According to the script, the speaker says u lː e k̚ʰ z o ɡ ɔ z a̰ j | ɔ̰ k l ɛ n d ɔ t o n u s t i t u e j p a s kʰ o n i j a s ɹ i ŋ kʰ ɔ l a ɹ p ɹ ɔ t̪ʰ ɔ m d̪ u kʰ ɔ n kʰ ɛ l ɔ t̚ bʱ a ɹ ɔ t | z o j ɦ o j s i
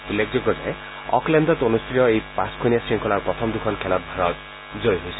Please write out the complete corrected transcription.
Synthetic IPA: u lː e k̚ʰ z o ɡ ɔ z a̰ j | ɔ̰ k l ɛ n d ɔ t o n u s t i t ɔ e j p a s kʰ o n i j a s ɹ i ŋ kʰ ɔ l a ɹ p ɹ ɔ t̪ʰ ɔ m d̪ u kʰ ɔ n kʰ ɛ l ɔ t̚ bʱ a ɹ ɔ t | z o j ɦ o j s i